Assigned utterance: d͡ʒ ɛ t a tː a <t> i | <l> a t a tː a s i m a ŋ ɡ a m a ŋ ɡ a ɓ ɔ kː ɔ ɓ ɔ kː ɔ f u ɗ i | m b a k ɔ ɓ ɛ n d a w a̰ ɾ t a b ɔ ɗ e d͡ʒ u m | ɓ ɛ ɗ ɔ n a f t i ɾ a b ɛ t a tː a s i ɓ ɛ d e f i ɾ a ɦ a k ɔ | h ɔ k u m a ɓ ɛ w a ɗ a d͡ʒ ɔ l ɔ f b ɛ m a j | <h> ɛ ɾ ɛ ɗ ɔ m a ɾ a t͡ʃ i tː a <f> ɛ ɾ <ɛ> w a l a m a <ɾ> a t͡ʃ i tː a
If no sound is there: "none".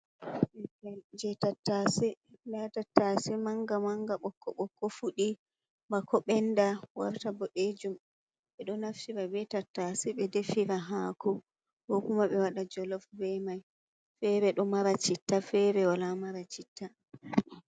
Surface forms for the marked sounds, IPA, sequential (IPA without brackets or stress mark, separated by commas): s, l, f, f, ɛ, ɾ